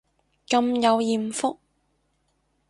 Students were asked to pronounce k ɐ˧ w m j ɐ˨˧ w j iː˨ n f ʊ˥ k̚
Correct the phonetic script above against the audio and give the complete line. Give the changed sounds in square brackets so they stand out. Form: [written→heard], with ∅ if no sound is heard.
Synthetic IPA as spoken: k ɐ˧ [w→∅] m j ɐ˨˧ w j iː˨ [n→m] f ʊ˥ k̚